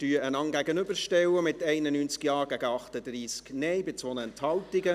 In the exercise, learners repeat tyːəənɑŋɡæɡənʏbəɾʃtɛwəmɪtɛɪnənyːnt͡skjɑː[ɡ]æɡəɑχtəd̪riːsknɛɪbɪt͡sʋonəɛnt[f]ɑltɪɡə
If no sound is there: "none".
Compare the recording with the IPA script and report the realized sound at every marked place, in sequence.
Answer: ɡ, h

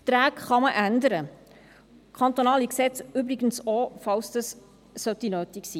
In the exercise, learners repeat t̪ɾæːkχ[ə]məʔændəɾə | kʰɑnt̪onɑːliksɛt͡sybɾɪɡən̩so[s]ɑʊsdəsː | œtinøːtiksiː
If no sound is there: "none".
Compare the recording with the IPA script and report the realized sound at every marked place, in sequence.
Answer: ɑ, f

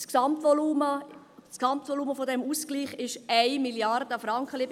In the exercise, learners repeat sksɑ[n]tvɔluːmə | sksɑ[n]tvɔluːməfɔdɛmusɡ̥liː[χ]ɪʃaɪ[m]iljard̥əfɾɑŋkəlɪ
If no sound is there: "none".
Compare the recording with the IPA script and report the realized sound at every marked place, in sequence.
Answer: m, m, χ, m

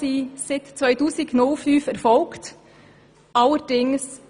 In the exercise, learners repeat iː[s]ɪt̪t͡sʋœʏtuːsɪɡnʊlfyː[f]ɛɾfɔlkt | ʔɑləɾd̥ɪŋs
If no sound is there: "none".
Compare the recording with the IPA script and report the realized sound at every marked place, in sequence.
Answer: s, f

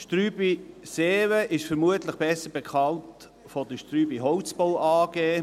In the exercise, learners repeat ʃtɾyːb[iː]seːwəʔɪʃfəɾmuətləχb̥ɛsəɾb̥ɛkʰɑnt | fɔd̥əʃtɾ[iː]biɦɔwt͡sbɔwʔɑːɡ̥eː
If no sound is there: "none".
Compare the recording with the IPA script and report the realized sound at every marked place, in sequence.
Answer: i, yː

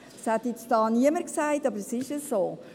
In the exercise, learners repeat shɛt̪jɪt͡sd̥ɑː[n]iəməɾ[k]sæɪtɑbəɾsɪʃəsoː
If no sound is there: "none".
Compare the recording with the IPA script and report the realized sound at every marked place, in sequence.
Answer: n, k

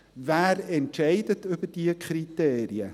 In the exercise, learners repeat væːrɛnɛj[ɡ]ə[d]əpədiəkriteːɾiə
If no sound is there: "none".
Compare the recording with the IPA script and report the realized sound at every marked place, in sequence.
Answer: d, t

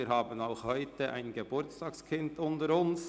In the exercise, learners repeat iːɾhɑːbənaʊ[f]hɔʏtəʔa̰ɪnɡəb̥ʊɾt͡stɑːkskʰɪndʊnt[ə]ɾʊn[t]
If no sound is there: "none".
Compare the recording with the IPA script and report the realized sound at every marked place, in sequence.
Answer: x, ə, s

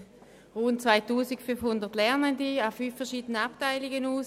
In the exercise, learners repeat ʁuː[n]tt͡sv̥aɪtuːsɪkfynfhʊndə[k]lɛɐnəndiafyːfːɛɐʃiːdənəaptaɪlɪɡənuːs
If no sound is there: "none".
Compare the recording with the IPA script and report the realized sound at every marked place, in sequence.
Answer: n, t

